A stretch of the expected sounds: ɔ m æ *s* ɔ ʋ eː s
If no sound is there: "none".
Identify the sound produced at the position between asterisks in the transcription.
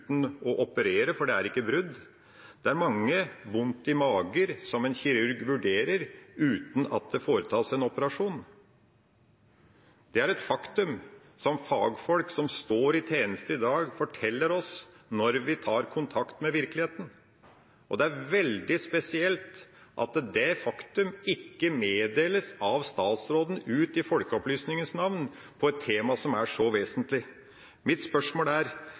ʂ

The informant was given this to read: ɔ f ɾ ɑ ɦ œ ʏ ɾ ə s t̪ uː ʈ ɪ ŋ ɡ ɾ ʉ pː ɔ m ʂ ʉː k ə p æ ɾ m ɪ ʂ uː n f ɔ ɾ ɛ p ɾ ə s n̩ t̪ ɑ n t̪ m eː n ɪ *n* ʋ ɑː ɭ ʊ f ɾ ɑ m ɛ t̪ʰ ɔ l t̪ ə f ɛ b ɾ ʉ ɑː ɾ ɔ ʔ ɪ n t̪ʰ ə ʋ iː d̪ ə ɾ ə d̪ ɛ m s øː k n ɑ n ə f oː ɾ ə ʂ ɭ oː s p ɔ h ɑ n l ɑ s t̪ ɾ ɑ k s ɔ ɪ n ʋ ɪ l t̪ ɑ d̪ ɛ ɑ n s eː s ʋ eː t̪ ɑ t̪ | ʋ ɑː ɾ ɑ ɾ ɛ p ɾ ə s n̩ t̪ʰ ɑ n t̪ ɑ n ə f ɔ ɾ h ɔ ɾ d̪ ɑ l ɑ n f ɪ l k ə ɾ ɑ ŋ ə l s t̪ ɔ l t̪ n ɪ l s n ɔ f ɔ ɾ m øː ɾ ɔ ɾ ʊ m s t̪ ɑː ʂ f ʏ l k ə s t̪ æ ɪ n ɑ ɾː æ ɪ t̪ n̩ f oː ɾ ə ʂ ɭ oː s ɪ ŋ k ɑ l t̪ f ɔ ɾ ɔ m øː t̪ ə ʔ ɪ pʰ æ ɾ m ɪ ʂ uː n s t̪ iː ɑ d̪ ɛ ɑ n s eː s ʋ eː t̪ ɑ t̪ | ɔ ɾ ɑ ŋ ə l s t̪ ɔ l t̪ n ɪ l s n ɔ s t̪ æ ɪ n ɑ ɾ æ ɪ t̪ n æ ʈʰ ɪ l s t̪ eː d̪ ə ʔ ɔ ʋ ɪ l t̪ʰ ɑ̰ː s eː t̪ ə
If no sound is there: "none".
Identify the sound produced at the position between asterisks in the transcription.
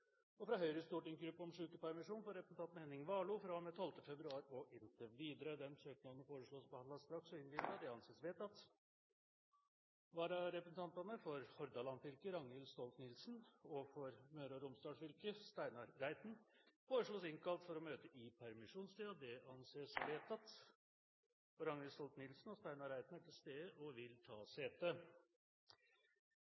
ŋ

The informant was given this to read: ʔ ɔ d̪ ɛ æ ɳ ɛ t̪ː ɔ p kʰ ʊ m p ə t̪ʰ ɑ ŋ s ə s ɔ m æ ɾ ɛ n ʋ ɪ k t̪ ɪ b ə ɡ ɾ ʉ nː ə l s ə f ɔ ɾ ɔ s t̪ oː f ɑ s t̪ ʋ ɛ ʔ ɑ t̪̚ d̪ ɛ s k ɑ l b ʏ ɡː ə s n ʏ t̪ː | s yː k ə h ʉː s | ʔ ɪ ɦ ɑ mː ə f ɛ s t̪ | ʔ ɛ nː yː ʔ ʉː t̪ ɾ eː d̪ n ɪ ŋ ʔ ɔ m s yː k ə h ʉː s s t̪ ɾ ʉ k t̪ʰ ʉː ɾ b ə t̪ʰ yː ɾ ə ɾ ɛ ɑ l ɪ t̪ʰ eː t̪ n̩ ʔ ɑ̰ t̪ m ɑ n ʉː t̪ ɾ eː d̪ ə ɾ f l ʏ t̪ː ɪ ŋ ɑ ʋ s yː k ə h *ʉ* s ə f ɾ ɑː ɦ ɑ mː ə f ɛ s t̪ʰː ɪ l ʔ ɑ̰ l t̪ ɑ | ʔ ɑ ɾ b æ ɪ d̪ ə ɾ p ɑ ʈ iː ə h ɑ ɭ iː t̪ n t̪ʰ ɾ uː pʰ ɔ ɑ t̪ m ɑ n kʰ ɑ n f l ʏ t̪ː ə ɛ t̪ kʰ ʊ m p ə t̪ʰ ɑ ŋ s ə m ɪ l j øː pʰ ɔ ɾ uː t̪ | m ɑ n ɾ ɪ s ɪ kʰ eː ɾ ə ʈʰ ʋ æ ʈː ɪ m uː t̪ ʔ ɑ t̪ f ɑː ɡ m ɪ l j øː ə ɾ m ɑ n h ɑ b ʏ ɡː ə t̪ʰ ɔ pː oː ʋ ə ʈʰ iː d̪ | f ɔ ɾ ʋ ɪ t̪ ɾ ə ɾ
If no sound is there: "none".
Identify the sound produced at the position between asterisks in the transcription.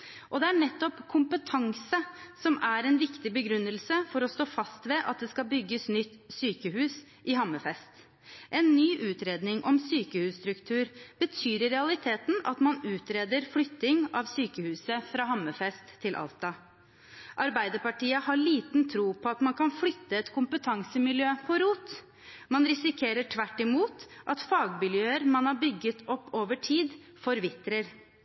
ʉː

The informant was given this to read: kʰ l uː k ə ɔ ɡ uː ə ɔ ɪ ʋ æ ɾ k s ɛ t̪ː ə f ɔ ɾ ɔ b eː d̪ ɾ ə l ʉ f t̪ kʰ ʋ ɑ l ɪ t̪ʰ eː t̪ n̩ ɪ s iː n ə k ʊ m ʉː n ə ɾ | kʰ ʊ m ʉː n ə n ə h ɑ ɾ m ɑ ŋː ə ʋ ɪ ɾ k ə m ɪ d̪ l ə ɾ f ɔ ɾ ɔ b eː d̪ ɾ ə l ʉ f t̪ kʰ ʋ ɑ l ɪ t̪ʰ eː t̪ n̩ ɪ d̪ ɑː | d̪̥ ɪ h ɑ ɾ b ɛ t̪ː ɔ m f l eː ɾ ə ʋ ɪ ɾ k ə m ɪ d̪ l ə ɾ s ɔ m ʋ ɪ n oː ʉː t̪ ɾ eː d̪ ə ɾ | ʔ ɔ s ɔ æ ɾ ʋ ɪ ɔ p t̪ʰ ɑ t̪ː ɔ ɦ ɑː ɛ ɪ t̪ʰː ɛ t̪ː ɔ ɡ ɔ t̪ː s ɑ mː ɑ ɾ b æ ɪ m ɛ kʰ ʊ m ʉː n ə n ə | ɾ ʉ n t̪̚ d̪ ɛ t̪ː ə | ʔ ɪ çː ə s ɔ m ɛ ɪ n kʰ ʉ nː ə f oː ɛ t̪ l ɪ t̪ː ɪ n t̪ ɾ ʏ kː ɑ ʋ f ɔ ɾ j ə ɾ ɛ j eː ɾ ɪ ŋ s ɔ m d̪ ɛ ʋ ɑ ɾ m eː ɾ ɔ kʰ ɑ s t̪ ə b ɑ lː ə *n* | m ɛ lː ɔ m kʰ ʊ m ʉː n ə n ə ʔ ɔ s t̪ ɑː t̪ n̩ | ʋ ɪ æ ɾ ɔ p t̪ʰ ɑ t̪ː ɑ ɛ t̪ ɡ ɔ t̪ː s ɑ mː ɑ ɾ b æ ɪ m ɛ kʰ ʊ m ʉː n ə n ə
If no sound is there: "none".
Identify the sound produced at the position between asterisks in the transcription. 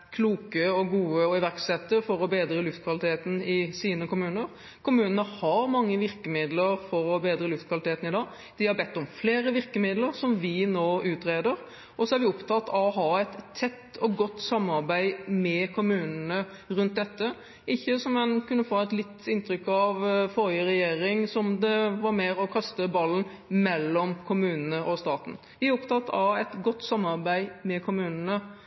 n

